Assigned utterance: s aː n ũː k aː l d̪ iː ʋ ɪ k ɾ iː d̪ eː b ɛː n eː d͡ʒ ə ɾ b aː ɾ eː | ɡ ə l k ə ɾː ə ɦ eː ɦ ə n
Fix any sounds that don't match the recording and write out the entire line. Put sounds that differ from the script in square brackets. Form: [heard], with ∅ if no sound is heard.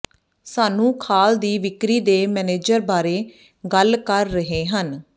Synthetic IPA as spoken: s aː n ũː [kʰ] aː l d̪ iː ʋ ɪ k ɾ iː d̪ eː [m] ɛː n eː d͡ʒ ə ɾ b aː ɾ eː | ɡ ə l k ə ɾː ə ɦ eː ɦ ə n